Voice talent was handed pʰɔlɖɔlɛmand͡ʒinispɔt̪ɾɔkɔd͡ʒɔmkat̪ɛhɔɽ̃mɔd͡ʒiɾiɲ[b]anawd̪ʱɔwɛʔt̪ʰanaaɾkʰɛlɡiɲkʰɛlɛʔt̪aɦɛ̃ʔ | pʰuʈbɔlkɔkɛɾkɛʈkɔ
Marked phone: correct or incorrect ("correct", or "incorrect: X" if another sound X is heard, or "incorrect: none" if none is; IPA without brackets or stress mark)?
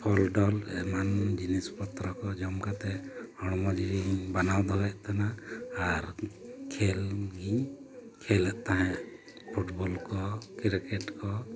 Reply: correct